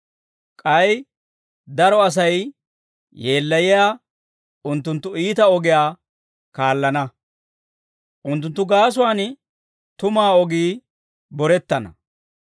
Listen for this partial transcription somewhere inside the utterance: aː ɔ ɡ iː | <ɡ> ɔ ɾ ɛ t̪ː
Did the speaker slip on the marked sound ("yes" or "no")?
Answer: yes